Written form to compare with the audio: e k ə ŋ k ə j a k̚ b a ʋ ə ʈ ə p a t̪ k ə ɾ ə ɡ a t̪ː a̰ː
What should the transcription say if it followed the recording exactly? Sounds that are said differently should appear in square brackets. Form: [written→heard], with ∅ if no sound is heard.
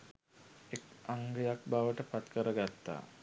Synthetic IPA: e k [ə→a] ŋ [k→ɡ] ə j a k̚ b a ʋ ə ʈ ə p a t̪ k ə ɾ ə ɡ a t̪ː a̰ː